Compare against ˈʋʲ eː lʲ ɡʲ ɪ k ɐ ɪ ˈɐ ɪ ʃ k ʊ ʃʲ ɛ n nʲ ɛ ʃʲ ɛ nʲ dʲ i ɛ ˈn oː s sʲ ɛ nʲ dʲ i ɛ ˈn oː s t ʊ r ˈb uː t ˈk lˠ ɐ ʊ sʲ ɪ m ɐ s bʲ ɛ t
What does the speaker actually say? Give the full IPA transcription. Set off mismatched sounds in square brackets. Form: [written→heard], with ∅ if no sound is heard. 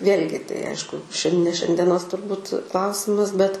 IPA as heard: ˈʋʲ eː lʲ ɡʲ ɪ [k→t] ɐ ɪ ˈɐ ɪ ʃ k ʊ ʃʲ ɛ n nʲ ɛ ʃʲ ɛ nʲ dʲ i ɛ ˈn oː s [sʲ→ʃʲ] ɛ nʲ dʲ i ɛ ˈn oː s t ʊ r ˈb uː t ˈk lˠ ɐ ʊ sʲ ɪ m ɐ s bʲ ɛ t